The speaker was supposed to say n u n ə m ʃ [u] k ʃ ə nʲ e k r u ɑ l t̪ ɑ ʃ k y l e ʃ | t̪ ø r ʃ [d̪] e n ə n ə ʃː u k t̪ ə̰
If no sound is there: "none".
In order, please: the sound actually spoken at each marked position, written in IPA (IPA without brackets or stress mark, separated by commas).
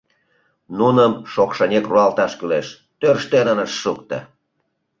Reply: o, t̪